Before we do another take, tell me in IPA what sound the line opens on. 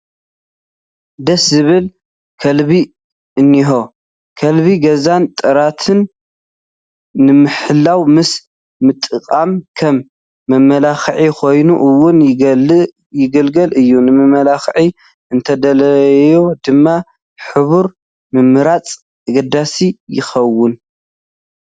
d̪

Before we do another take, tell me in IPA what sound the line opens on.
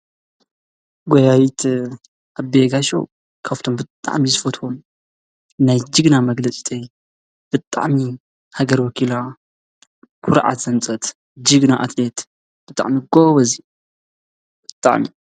ɡ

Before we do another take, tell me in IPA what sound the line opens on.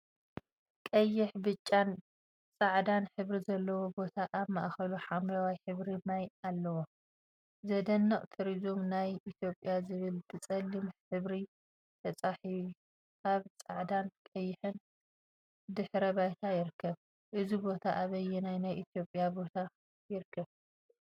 kʼ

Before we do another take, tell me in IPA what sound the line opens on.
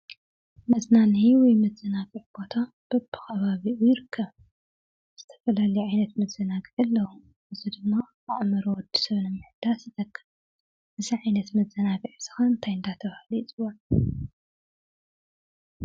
m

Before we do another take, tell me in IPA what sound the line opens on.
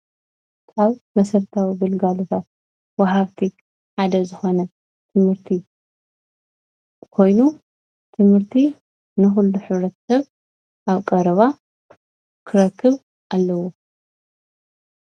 a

